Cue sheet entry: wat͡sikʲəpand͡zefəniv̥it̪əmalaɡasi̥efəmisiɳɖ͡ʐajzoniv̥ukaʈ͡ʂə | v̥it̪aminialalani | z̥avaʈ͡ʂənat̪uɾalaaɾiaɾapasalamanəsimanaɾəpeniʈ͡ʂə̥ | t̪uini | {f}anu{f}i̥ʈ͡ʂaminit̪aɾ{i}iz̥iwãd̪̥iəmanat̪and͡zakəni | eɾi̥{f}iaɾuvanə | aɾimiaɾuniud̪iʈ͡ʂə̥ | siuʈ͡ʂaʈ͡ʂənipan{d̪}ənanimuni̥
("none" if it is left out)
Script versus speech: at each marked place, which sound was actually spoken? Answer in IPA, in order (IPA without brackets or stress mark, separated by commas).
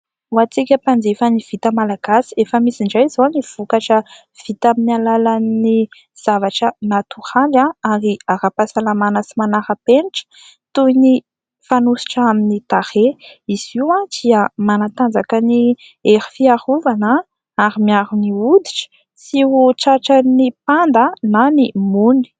f, s, e, f, d̪